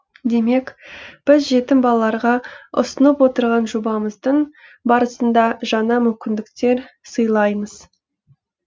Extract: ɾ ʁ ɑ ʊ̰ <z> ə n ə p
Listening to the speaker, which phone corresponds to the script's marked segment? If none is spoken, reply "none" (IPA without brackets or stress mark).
s